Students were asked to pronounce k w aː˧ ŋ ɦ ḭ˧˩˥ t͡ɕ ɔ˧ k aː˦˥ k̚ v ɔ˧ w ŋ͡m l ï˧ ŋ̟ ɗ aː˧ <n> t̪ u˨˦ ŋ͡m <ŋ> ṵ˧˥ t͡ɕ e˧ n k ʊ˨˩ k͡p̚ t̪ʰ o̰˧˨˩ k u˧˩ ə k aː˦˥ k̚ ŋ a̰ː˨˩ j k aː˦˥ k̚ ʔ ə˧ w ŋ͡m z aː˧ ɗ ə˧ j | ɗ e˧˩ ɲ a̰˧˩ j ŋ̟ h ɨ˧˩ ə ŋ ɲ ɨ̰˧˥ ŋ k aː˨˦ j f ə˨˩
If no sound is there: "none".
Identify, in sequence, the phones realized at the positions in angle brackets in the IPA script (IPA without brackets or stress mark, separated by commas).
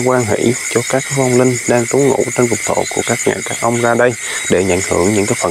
ŋ, ŋ